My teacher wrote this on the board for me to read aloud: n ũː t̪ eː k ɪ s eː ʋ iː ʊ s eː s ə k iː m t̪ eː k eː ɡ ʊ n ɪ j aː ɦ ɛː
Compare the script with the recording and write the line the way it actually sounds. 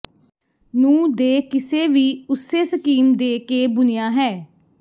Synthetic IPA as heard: n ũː d̪ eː k ɪ s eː ʋ iː ʊ s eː s ə k iː m d̪ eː k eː b ʊ n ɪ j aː ɦ ɛː